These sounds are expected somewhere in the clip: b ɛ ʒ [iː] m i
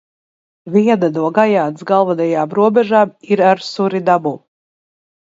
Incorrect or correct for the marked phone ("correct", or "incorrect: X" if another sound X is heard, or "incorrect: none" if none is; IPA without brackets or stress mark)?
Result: incorrect: aː